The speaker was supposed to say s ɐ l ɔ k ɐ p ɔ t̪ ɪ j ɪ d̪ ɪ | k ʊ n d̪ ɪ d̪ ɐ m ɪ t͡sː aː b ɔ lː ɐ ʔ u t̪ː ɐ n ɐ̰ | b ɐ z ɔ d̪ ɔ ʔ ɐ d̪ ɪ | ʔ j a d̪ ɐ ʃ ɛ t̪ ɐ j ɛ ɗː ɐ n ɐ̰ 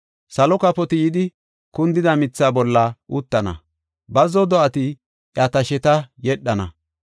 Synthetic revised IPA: s ɐ l ɔ k ɐ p ɔ t̪ ɪ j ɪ d̪ ɪ | k ʊ n d̪ ɪ d̪ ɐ m ɪ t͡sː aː b ɔ lː ɐ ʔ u t̪ː ɐ n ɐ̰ | b ɐ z ɔ d̪ ɔ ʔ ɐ t̪ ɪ | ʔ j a t̪ ɐ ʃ ɛ t̪ ɐ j ɛ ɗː ɐ n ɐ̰